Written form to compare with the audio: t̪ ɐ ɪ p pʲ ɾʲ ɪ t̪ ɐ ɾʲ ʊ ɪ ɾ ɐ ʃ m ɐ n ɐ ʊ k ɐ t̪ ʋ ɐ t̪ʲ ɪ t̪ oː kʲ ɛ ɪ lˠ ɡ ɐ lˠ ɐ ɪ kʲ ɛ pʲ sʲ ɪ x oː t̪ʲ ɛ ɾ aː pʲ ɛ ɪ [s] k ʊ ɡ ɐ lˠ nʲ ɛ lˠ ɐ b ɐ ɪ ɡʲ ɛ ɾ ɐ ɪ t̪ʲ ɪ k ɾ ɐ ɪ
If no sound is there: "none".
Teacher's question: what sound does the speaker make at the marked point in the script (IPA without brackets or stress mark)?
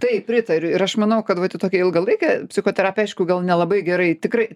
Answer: ʃ